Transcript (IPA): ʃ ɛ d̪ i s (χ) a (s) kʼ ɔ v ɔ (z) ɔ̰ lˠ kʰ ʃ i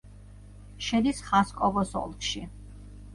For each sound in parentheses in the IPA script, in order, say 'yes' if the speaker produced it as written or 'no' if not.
yes, yes, no

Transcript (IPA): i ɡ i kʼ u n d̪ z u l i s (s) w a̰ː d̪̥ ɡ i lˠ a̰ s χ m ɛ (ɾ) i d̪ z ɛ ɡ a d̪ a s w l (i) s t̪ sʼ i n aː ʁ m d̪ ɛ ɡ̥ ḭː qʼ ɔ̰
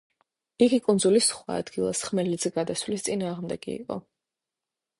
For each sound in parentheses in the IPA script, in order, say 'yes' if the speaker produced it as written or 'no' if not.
no, no, yes

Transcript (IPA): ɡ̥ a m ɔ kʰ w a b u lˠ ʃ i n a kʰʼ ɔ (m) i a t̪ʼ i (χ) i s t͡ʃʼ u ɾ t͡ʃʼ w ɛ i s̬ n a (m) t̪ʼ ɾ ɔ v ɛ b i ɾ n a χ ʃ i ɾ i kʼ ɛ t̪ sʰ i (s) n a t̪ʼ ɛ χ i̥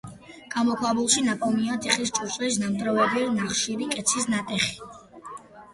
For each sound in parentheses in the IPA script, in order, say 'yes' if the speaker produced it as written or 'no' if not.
yes, yes, yes, yes

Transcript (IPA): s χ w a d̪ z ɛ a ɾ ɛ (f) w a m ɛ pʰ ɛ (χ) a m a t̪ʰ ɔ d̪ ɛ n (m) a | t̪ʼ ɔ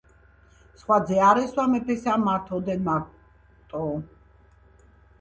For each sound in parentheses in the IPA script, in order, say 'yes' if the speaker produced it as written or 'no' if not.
no, no, yes

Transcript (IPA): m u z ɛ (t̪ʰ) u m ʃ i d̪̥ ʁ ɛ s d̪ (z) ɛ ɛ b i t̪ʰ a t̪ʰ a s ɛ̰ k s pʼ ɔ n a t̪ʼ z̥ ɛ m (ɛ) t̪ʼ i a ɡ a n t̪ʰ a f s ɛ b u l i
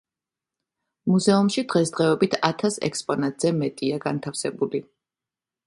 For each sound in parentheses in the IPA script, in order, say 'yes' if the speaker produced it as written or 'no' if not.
no, no, yes

